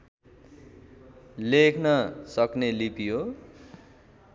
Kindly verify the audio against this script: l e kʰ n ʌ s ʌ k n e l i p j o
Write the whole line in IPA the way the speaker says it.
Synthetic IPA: l e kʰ n ʌ s ʌ k n e l i p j o